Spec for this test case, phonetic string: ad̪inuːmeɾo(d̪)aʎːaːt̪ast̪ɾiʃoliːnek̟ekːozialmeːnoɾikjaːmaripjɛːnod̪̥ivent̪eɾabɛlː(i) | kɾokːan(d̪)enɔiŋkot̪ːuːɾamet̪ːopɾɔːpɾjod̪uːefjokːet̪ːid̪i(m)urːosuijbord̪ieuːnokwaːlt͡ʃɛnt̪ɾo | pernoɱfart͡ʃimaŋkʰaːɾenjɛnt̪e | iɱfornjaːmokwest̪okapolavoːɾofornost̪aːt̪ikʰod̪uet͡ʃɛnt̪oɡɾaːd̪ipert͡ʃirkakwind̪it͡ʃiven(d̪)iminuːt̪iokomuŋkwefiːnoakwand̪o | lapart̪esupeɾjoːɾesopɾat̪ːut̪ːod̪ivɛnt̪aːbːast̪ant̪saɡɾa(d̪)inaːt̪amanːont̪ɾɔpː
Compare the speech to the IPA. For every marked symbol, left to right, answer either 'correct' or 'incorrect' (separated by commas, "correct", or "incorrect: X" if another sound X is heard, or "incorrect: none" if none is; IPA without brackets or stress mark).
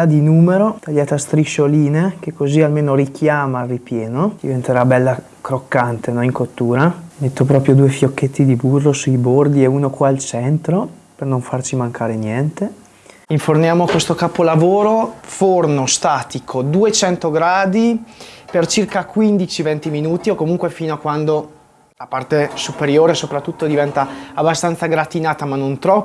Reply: incorrect: t̪, incorrect: a, incorrect: t̪, incorrect: b, incorrect: t̪, incorrect: t̪